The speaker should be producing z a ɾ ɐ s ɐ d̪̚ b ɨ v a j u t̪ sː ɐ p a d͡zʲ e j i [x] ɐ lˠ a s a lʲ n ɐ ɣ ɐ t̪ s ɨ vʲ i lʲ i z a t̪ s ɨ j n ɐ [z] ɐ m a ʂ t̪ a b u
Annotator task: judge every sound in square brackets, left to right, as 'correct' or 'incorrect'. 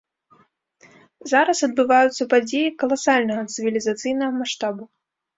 incorrect, incorrect

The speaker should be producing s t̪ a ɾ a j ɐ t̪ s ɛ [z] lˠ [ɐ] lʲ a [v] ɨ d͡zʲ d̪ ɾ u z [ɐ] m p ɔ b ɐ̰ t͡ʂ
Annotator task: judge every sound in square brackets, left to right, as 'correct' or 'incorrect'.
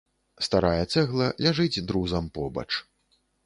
incorrect, correct, incorrect, correct

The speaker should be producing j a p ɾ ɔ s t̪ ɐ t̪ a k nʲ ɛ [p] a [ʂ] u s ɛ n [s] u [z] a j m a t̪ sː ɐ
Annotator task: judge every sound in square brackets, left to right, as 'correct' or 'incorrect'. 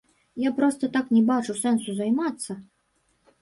incorrect, incorrect, correct, correct

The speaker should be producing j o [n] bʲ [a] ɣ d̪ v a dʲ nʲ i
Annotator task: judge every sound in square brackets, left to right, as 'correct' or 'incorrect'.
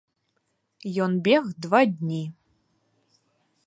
correct, incorrect

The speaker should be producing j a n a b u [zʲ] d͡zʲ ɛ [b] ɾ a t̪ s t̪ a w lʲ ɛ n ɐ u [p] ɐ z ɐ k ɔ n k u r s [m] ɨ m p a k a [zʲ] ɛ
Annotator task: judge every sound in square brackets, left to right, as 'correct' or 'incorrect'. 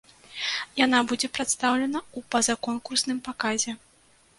incorrect, incorrect, correct, incorrect, correct

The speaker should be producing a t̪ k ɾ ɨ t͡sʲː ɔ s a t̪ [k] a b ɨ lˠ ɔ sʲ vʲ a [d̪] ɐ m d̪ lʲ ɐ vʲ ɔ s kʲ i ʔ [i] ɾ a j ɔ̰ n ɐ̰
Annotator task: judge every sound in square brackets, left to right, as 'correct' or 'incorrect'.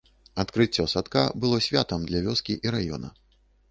correct, incorrect, correct

